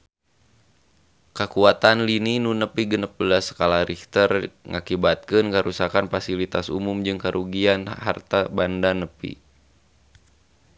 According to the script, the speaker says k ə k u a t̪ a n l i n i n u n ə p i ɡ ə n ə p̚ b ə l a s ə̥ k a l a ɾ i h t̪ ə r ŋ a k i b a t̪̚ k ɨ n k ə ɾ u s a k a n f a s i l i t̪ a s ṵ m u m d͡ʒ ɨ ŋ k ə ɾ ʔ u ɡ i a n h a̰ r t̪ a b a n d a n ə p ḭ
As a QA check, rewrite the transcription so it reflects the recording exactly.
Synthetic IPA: k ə k u a t̪ a n l i n i n u n ə p i ɡ ə n ə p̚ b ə l a s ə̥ k a l a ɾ i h t̪ ə r ŋ a k i b a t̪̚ k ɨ n k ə ɾ u s a k a n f a s i l i t̪ a s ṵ m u m d͡ʒ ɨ ŋ k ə ɾ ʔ u ɡ i a n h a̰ r t̪ a b a n d a n ə p ḭ